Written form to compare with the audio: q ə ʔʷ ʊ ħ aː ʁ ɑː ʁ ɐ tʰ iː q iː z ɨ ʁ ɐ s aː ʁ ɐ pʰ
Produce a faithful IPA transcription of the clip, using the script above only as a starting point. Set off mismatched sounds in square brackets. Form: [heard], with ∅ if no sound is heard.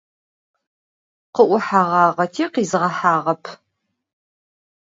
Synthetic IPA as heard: q ə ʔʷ ʊ ħ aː ʁ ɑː ʁ ɐ tʰ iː q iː z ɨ ʁ ɐ [ħ] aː ʁ ɐ pʰ